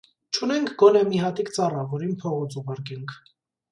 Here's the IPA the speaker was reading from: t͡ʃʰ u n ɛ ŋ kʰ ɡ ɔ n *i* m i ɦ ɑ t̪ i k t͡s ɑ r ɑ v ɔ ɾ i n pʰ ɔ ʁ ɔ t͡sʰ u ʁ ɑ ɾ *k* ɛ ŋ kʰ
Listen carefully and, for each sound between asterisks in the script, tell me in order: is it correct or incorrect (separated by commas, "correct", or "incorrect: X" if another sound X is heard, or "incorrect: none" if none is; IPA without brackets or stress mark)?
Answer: incorrect: ɛ, correct